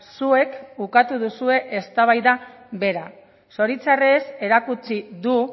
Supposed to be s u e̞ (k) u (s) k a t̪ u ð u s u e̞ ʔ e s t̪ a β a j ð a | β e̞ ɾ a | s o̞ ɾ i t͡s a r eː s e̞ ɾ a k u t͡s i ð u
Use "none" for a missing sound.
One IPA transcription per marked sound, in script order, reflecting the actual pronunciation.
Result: k, none

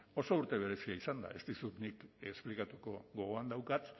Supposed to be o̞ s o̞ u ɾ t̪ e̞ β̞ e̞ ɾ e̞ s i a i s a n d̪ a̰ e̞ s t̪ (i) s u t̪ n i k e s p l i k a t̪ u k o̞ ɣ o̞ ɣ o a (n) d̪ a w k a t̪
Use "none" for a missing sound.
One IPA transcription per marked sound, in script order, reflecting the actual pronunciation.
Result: i, n

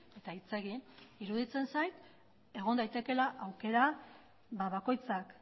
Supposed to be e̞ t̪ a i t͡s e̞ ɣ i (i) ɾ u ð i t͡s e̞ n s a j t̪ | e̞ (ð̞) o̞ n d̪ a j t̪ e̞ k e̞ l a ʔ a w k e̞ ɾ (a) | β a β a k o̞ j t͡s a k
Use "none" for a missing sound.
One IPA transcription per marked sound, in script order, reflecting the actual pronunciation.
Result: i, ɣ̞, a

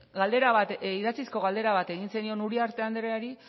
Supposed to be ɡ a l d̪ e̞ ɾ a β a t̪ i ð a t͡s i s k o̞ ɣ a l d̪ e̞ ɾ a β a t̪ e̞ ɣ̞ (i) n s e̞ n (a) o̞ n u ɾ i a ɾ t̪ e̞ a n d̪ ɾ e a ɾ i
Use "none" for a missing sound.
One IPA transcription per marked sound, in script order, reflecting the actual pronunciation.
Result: i, i

